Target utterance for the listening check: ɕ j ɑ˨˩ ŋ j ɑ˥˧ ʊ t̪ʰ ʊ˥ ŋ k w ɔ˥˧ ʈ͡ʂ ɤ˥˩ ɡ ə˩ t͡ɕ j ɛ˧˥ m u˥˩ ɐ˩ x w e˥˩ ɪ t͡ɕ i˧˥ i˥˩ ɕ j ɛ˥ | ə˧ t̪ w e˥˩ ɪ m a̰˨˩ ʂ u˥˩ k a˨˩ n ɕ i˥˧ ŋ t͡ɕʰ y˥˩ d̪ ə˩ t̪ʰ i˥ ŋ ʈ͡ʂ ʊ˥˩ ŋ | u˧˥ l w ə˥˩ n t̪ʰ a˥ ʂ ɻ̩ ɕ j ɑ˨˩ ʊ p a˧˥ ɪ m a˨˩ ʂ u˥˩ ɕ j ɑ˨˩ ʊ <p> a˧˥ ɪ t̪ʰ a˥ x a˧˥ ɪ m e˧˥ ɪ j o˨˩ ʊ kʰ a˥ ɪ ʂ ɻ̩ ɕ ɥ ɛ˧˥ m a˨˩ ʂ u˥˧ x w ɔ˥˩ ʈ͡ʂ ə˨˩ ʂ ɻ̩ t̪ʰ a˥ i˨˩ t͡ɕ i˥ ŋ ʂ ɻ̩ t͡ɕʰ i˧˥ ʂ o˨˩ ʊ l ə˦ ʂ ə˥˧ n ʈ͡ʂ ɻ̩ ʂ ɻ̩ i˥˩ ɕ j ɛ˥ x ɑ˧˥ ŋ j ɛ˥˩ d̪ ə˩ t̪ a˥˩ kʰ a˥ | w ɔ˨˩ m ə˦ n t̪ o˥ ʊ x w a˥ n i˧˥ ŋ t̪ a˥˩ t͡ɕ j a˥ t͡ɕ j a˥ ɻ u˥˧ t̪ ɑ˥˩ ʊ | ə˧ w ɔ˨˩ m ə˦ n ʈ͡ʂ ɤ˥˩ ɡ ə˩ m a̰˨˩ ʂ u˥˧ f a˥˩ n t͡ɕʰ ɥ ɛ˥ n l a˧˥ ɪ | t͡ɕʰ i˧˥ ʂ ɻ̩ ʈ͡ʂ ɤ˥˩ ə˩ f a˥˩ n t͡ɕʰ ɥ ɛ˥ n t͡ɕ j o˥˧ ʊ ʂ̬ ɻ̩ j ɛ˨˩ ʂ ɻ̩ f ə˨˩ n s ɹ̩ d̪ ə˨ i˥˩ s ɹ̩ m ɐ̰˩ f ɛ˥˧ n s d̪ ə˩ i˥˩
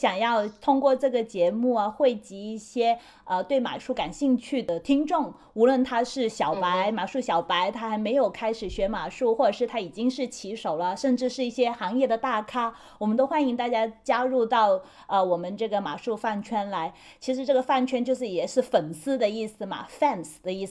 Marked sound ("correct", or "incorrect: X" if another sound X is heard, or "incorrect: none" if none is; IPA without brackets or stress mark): correct